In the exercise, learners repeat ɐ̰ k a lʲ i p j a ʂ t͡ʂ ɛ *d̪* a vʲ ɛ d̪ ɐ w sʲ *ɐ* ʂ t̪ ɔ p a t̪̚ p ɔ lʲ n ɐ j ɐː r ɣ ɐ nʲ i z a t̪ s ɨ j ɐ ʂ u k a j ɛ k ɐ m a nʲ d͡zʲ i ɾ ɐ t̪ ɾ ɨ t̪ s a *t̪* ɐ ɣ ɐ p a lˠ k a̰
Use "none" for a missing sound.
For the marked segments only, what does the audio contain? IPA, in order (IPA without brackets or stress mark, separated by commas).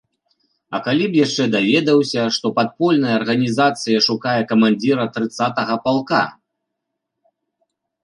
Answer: d̪, ɐ, t̪